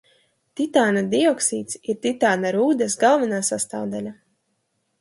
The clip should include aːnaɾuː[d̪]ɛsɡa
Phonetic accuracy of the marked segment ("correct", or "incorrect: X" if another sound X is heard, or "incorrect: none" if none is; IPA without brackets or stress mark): correct